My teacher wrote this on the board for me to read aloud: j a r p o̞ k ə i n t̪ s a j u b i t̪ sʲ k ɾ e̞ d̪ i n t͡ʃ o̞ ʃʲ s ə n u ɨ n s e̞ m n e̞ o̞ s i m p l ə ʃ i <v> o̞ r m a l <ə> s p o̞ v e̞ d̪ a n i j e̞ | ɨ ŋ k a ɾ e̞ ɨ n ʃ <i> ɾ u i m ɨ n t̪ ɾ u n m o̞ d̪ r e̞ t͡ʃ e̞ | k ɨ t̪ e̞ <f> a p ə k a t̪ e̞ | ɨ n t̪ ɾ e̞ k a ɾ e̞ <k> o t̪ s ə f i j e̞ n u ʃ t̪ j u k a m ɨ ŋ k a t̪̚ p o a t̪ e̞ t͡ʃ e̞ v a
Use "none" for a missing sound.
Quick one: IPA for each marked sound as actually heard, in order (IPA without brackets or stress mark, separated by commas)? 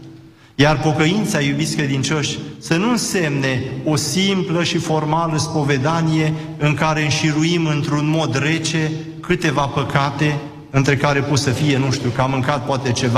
f, ə, i, v, p